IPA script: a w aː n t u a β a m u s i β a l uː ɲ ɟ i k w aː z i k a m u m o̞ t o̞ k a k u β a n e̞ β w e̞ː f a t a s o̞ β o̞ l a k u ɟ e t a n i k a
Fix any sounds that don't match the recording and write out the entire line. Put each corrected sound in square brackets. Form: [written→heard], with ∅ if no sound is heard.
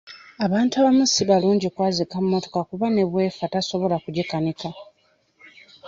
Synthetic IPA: a [w→β] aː n t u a β a m u s i β a l uː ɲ ɟ i k w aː z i k a m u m o̞ t o̞ k a k u β a n e̞ β w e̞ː f a t a s o̞ β o̞ l a k u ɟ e [t→k] a n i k a